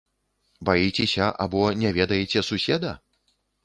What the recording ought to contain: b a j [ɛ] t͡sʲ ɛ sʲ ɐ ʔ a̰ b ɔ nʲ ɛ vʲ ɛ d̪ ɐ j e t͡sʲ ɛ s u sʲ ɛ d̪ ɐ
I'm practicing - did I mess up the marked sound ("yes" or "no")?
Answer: yes